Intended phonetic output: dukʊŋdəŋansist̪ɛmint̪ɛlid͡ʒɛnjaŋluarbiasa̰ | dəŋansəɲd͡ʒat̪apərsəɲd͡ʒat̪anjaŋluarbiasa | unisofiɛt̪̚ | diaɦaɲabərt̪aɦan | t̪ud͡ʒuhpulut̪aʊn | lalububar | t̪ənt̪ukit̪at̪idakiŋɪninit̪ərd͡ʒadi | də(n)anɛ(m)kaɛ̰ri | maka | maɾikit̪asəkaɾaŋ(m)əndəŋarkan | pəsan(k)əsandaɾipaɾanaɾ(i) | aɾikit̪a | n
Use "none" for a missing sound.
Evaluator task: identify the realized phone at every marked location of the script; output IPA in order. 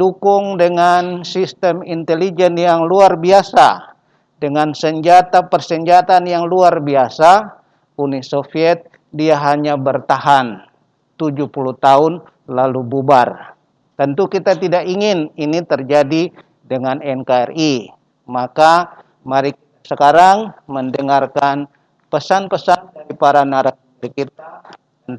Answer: ŋ, n, m, p, a

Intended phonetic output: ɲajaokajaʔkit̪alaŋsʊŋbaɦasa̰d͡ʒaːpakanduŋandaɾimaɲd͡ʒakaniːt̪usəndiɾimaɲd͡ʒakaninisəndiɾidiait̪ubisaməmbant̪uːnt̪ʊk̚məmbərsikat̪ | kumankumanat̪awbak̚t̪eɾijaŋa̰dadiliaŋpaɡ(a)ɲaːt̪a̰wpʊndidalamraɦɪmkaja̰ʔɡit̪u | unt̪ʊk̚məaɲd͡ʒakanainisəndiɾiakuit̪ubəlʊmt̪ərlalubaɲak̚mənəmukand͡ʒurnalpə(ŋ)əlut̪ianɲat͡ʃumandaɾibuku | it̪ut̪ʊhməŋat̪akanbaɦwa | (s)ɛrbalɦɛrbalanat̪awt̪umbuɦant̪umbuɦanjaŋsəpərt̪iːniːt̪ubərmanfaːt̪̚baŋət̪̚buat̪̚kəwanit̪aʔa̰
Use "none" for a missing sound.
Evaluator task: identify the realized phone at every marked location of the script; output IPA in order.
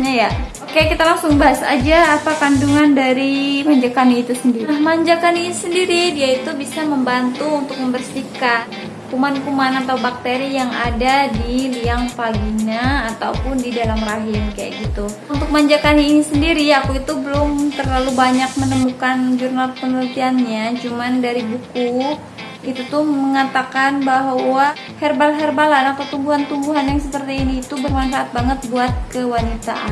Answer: i, n, h

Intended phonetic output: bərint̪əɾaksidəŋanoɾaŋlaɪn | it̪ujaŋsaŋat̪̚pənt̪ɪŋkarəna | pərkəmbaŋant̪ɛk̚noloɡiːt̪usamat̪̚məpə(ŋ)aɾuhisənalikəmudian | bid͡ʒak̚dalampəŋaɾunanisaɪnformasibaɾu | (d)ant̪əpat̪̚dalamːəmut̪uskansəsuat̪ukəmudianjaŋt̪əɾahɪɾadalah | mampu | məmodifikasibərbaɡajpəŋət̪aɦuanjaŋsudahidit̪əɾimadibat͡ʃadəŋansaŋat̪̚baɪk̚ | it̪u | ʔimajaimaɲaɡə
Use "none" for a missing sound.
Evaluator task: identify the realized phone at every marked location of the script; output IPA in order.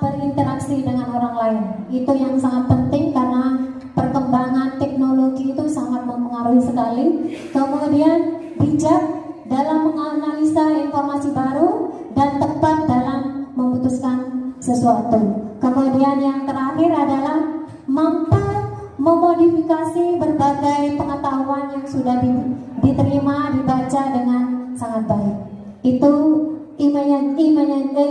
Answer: ŋ, d

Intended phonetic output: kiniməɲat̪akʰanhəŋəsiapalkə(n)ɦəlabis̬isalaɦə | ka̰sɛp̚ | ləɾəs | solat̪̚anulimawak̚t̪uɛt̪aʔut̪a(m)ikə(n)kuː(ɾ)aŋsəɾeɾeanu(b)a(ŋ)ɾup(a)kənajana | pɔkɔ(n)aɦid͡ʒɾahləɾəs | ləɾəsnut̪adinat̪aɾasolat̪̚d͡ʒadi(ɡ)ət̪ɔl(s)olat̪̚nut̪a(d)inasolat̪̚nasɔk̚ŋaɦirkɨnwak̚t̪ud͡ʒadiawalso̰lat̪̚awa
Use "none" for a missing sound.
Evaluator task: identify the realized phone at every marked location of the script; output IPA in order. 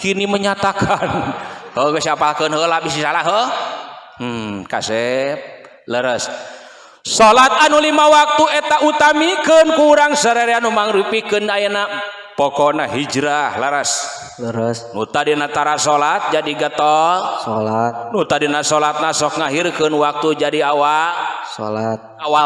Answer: n, m, n, ɾ, m, ŋ, i, n, ɡ, s, d

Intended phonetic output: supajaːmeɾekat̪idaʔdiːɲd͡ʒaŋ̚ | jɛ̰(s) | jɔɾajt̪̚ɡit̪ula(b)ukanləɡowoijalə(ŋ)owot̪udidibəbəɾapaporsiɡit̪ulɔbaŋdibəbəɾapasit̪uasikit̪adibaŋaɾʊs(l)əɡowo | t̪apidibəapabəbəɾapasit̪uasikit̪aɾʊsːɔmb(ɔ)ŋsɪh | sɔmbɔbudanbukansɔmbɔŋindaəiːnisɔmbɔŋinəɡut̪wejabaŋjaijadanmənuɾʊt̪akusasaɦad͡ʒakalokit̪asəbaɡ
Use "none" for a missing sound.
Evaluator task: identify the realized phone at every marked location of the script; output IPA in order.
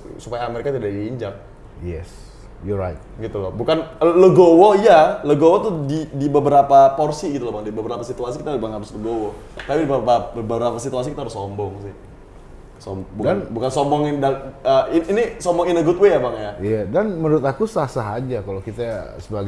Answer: s, b, ɡ, l, ɔ

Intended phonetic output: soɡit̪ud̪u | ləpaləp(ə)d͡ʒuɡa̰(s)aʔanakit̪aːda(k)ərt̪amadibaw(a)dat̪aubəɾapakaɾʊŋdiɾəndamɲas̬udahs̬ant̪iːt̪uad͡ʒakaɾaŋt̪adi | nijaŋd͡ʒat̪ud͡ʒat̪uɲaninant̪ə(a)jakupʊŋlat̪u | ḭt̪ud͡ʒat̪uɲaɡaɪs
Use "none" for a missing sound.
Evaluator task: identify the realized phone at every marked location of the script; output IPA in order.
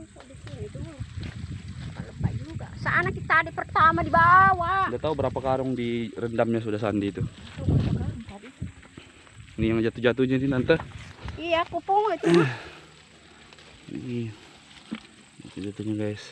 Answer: a, s, p, a, i

